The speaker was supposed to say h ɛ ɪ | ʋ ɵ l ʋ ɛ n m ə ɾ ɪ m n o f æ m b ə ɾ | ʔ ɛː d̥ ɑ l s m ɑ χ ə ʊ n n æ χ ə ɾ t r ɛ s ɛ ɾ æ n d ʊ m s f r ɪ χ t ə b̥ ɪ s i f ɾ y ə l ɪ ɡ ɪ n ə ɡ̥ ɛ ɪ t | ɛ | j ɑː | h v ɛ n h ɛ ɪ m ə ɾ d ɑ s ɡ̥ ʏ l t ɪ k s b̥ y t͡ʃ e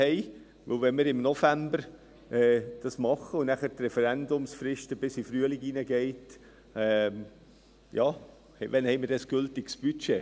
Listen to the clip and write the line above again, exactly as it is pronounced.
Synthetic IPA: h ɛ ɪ | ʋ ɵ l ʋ ɛ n m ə ɾ ɪ m n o f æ m b ə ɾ | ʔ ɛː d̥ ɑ s m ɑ χ ə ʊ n n æ χ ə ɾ t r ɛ f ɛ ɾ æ n d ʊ m s f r ɪ ʃ t ə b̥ ɪ s i f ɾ y ə l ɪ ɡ i n ə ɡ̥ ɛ ɪ t | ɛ | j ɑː | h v ɛ n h ɛ ɪ m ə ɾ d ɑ s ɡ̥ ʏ l t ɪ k s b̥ y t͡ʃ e